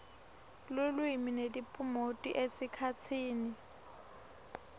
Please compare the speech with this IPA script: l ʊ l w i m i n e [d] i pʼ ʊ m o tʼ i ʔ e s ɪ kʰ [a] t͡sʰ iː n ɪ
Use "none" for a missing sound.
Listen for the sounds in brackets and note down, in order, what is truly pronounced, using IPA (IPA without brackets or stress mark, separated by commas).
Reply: d, a